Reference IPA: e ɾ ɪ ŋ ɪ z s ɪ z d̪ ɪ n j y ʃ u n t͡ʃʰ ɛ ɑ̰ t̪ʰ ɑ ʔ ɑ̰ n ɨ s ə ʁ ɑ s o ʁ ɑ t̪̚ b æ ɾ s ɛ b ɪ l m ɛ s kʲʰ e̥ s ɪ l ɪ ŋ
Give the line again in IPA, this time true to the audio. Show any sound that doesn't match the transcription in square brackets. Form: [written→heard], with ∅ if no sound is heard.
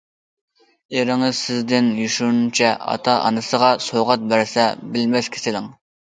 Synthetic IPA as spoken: e ɾ ɪ ŋ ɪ z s ɪ z d̪ ɪ n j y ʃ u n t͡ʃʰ ɛ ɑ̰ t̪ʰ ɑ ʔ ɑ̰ n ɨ s ə ʁ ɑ s o ʁ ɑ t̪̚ b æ ɾ s ɛ b ɪ l m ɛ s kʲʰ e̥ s ɪ l ɪ ŋ